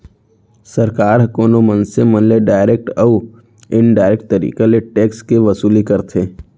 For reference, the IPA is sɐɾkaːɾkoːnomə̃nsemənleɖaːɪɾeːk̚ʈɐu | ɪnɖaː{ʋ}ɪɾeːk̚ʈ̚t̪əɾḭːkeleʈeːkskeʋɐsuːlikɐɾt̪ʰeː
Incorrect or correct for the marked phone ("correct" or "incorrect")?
incorrect